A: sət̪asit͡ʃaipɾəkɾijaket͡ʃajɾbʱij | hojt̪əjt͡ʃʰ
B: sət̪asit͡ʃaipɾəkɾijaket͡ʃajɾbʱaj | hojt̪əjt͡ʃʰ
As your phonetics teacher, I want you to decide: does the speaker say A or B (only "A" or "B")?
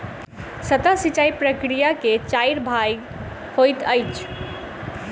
B